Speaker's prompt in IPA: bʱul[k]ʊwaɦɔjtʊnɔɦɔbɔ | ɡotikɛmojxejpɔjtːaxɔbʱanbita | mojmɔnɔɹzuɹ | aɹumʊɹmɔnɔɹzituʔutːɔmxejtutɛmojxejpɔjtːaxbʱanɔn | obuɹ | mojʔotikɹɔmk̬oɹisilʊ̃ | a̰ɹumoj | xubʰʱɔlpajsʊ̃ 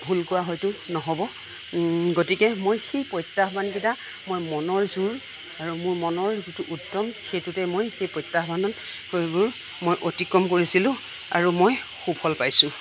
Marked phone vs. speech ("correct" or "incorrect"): correct